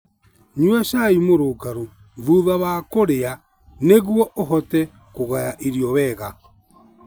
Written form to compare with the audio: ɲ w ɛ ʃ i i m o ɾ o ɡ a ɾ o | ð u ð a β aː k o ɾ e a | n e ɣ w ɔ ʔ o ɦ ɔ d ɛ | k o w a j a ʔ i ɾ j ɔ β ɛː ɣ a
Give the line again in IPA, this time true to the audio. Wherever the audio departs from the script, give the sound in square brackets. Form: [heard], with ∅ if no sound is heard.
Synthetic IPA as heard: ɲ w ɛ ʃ [a] i m o ɾ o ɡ a ɾ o | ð u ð a β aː k o ɾ e a | n e ɣ w ɔ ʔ o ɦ ɔ [t] ɛ | k o [ɣ] a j a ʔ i ɾ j ɔ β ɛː ɣ a